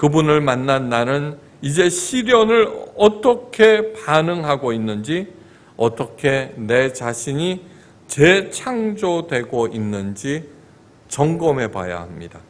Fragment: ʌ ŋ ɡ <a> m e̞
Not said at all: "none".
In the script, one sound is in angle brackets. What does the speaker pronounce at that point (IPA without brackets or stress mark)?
ʌ